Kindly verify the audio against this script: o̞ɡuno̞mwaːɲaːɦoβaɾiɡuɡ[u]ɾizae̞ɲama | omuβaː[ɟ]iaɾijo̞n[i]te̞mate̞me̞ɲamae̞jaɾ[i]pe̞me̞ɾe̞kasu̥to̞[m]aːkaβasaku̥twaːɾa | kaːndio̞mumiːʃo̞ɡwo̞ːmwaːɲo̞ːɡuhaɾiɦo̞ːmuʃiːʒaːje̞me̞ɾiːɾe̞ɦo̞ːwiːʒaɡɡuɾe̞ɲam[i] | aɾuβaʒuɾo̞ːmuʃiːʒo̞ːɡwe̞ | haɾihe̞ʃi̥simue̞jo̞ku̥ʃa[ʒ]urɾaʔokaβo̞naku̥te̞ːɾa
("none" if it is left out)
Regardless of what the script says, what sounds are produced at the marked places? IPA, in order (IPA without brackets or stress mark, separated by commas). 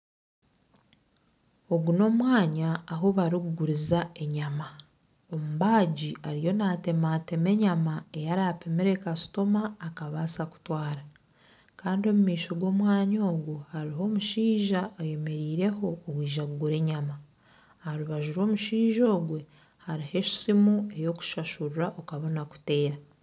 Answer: u, ɟ, a, a, m, a, ʃ